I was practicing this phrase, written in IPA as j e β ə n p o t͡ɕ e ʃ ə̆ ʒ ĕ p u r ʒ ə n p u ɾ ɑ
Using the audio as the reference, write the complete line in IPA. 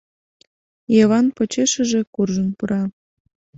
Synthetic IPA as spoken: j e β ɑ n p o t͡ɕ e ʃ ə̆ ʒ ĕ k u r ʒ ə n p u ɾ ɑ

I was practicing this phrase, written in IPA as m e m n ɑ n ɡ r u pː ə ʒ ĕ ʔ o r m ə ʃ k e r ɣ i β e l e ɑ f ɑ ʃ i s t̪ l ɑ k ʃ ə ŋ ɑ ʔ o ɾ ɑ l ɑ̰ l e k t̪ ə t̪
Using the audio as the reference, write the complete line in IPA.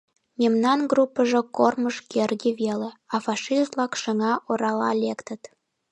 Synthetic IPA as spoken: m e m n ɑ n ɡ r u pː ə ʒ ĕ k o r m ə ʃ k e r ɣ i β e l e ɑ f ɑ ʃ i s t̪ l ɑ k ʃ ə ŋ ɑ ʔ o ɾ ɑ l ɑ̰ l e k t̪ ə t̪

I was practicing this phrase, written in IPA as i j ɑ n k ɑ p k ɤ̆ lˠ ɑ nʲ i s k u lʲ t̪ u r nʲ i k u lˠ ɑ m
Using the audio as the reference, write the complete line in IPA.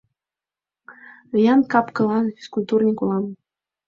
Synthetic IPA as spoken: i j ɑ n k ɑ p k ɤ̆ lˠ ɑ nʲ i s k u lʲ t̪ u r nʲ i k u lˠ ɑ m

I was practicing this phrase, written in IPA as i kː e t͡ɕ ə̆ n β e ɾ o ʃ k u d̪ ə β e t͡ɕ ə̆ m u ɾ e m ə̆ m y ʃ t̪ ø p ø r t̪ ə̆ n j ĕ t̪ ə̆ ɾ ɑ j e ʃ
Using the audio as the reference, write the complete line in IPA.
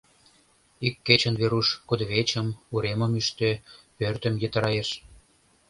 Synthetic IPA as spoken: i kː e t͡ɕ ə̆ n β e ɾ u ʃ k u d̪ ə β e t͡ɕ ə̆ m u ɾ e m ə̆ m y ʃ t̪ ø p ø r t̪ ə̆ m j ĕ t̪ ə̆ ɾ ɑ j e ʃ

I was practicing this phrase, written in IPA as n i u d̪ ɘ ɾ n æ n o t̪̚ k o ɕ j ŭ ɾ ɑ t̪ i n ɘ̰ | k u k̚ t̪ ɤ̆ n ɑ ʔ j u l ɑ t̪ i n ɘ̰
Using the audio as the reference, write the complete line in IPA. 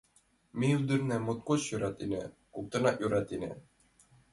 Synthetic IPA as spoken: m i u d̪ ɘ ɾ n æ m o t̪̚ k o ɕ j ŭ ɾ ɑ t̪ i n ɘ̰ | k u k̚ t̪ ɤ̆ n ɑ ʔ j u ɾ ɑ t̪ i n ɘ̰

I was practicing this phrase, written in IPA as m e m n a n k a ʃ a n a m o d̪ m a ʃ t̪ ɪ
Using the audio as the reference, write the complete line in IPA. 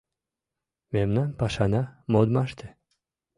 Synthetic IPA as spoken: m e m n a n p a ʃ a n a m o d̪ m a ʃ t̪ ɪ

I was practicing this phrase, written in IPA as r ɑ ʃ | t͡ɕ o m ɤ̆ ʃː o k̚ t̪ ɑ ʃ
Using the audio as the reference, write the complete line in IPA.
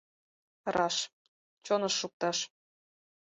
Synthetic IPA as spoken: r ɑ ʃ | t͡ɕ o n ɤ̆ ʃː u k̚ t̪ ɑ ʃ

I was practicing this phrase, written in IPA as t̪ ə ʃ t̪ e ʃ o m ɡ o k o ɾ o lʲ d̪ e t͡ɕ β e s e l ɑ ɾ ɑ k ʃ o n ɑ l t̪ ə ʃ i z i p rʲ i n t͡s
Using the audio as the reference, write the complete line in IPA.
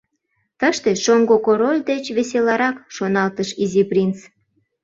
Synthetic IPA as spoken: t̪ ə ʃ t̪ e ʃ o ŋ ɡ o k o ɾ o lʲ d̪ e t͡ɕ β e s e l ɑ ɾ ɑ k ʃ o n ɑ l t̪ ə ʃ i z i p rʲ i n t͡s

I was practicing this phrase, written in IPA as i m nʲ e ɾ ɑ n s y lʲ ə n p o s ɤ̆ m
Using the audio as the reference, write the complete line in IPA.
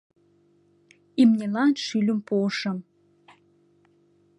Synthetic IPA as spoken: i m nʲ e l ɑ n ʃ y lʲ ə m p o ʃ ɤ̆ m

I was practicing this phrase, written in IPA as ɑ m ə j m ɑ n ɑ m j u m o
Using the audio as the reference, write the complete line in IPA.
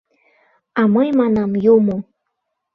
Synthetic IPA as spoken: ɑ m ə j m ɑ n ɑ m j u m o

